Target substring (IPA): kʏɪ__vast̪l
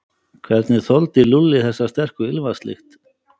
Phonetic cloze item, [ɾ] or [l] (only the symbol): l